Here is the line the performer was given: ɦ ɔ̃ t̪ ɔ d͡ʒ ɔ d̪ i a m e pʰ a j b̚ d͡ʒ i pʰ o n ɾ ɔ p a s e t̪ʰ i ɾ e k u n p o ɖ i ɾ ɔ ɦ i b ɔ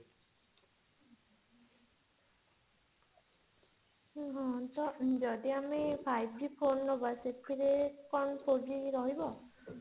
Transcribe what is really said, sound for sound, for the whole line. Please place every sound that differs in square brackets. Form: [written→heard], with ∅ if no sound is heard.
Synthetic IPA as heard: ɦ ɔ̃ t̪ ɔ d͡ʒ ɔ d̪ i a m e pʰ a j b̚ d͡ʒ i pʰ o n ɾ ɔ [p→b] a s e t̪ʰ i ɾ e k [u→ɔ] n p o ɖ i ɾ ɔ ɦ i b ɔ